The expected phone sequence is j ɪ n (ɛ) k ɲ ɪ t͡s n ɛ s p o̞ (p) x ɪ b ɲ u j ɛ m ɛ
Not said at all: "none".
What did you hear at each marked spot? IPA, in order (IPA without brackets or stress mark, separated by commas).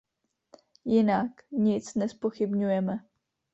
a, none